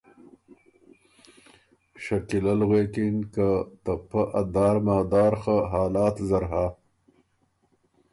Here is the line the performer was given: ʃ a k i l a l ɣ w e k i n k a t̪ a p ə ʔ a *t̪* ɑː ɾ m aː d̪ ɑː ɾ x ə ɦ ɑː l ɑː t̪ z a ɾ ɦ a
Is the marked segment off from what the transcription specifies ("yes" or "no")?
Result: yes